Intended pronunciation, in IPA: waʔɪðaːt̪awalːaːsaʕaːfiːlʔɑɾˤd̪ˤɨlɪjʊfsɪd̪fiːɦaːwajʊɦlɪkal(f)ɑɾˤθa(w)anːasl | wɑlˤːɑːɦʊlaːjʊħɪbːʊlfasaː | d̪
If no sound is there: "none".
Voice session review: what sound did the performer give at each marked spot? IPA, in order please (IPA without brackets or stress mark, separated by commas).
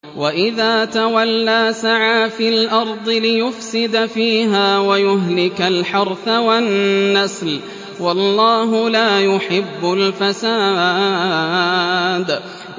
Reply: ħ, w